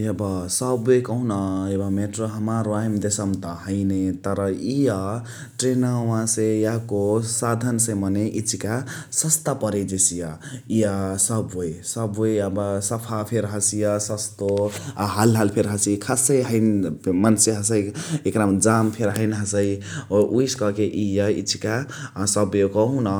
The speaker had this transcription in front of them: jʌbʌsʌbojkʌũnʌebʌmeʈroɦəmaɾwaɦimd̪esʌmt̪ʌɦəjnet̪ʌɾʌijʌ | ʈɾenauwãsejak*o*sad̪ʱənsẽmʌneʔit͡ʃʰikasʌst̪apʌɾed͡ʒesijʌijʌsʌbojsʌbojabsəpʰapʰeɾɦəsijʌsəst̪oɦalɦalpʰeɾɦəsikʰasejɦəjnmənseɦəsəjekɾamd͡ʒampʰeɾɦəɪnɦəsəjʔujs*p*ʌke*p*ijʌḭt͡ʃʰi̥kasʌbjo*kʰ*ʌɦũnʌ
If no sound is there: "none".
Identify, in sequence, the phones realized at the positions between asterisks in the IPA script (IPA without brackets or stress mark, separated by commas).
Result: o, k, ʔ, k